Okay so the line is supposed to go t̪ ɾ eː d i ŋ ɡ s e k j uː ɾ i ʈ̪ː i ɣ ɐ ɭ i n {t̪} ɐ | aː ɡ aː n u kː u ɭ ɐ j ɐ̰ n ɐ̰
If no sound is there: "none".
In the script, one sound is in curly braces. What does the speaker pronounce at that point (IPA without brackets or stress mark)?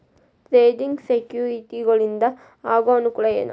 d̪